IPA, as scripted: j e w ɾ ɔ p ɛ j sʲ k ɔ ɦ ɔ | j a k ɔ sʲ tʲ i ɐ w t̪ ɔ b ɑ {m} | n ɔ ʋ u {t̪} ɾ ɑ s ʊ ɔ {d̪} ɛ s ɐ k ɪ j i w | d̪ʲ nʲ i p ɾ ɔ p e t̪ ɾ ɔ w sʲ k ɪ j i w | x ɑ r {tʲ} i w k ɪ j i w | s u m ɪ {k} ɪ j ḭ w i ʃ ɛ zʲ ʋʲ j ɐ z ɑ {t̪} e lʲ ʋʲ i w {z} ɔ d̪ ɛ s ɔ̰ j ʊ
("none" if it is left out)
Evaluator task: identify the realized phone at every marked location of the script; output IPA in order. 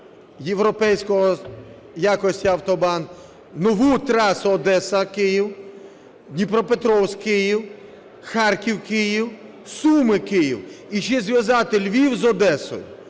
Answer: n, t̪, d̪, kʲ, k, t̪, z

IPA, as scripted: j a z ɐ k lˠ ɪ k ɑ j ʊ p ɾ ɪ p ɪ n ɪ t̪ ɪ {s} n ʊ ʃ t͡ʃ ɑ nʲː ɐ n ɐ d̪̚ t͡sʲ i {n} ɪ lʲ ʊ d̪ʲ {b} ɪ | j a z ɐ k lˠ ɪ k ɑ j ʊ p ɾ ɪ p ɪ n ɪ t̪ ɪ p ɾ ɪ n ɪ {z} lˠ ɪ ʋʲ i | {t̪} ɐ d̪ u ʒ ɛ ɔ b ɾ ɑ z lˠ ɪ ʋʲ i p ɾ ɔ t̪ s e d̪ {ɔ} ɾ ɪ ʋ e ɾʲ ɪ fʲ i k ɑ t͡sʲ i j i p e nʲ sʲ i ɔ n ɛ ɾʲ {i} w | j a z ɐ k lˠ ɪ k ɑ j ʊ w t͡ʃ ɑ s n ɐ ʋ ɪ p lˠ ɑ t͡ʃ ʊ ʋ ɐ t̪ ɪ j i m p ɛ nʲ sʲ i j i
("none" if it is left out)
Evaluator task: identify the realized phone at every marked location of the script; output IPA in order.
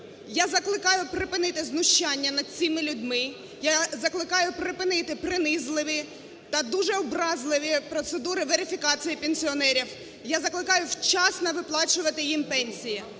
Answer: z, m, m, z, t̪, u, i

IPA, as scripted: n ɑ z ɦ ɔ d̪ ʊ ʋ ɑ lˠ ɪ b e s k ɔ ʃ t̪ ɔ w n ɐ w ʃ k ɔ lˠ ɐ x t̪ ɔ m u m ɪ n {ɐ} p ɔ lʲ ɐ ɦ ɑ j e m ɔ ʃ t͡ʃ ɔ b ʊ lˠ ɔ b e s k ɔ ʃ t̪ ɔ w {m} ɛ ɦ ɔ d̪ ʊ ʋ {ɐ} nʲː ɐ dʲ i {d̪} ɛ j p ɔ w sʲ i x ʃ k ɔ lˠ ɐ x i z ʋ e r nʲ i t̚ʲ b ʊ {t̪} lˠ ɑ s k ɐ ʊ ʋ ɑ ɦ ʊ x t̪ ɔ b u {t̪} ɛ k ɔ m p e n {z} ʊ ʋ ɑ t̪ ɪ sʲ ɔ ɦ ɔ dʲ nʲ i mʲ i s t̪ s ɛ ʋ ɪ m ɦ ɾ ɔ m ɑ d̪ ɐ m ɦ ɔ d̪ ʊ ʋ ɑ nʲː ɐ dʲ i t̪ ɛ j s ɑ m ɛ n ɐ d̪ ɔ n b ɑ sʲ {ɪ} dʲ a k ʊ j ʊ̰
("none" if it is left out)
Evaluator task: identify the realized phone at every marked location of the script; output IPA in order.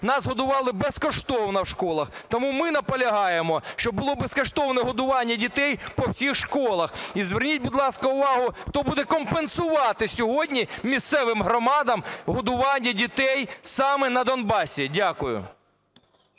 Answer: ɐ, n, ɑ, t̪, d̪, d̪, s, i

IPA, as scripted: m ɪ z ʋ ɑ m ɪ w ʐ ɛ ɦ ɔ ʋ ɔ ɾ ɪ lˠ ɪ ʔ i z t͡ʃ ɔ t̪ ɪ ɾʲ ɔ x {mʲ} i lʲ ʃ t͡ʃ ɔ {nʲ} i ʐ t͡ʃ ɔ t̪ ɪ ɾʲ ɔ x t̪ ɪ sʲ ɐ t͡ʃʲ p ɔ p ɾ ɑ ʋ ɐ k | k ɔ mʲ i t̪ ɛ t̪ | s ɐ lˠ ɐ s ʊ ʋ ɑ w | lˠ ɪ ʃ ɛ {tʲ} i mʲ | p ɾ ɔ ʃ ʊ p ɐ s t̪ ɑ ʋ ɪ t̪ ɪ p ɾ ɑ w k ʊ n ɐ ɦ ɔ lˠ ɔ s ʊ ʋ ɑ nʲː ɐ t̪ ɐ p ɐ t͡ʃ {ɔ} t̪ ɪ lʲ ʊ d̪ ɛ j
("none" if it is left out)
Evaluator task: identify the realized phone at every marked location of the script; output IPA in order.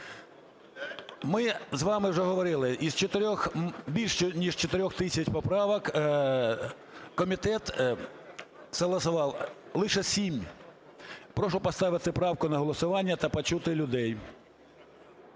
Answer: bʲ, nʲ, sʲ, u

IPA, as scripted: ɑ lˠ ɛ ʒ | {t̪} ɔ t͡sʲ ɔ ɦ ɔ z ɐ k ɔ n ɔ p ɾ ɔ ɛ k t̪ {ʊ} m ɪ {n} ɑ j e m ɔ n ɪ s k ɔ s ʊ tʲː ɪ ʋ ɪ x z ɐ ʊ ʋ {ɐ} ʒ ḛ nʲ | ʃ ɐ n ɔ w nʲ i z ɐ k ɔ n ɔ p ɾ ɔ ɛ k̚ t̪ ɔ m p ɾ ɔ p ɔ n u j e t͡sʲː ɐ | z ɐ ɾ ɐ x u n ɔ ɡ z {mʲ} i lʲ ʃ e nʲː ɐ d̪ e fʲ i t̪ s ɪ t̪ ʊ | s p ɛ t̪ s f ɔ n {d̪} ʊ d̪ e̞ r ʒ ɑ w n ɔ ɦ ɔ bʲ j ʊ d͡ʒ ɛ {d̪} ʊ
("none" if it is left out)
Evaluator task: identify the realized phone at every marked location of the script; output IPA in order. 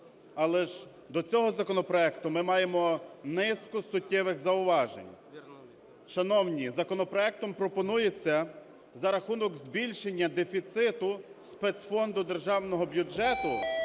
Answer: d̪, ʊ, m, ɑ, bʲ, d̪, t̪

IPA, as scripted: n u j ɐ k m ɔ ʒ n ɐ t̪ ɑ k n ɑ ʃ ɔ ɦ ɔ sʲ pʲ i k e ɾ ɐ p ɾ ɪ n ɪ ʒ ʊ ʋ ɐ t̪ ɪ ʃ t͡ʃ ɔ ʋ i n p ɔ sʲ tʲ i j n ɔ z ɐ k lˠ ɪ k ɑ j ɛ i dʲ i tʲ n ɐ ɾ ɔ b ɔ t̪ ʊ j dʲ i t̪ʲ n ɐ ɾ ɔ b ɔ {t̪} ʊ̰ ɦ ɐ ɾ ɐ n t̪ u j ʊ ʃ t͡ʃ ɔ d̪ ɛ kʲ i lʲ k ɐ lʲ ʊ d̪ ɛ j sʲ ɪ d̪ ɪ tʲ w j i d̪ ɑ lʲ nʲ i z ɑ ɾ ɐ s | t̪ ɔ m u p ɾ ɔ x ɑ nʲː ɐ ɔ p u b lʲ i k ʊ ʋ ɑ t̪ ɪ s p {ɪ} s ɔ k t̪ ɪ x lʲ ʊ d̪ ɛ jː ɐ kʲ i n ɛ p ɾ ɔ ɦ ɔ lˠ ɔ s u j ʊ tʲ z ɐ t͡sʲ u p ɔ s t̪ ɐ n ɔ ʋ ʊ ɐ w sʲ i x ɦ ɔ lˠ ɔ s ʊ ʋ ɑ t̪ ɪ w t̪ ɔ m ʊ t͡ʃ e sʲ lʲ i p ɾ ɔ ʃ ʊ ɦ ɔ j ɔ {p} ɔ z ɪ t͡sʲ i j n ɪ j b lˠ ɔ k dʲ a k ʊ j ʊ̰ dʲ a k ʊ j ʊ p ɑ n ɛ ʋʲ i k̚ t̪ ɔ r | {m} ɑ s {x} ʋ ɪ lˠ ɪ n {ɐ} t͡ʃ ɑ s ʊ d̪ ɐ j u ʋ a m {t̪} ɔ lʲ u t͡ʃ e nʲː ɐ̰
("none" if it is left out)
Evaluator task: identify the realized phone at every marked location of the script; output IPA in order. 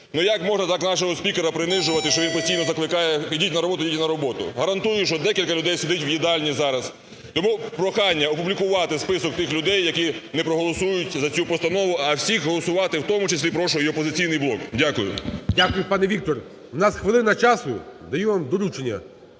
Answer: t̪, ɪ, p, n, x, ɐ, d̪

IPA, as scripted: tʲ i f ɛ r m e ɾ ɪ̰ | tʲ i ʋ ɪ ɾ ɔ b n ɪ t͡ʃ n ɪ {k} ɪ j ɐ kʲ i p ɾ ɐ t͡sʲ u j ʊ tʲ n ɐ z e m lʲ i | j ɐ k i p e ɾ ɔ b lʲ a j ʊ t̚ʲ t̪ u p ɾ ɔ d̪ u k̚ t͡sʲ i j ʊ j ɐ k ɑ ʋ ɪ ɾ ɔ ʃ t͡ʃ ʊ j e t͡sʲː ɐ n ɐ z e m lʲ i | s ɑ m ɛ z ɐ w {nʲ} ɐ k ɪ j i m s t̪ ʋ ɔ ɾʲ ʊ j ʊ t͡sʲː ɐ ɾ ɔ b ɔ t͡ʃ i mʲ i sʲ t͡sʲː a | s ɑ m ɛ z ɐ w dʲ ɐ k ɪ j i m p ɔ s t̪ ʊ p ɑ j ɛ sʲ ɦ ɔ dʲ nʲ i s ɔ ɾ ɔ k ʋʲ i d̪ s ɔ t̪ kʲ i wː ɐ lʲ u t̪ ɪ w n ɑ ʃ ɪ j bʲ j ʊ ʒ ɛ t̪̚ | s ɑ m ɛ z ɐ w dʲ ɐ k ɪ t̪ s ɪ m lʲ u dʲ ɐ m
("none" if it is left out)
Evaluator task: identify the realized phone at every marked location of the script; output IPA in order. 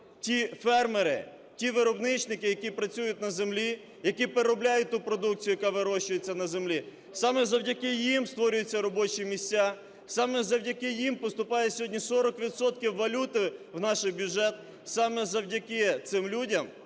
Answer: k, dʲ

